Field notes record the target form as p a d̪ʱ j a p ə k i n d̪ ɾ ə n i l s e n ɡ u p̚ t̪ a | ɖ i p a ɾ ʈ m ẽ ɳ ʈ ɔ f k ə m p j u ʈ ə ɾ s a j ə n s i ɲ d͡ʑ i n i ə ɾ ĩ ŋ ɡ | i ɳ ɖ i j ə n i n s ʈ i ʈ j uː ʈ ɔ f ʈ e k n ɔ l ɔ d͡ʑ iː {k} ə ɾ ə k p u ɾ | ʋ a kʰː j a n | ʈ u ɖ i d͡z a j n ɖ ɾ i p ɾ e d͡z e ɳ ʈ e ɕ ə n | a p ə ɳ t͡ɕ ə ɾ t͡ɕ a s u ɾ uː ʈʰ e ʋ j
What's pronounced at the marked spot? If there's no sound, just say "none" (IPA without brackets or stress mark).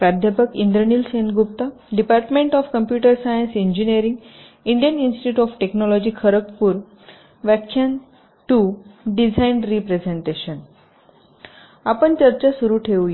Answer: kʰ